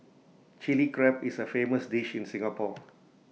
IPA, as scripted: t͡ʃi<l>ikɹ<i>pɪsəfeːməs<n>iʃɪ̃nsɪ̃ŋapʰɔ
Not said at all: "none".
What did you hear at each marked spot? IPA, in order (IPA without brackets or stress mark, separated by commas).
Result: l, ɛ, d